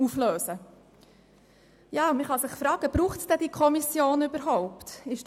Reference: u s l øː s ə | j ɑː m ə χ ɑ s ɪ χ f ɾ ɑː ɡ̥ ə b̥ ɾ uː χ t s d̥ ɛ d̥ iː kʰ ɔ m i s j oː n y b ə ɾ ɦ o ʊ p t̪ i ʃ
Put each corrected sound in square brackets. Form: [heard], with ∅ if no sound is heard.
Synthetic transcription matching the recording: u [f] l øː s ə | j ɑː m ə χ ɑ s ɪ χ f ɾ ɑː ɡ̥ ə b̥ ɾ uː χ t s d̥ ɛ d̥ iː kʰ ɔ m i s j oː n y b ə ɾ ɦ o ʊ p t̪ [ɪ] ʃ